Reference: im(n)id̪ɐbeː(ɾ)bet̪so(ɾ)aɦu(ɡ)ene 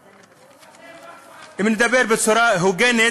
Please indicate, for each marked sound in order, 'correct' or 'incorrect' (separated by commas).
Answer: correct, correct, correct, correct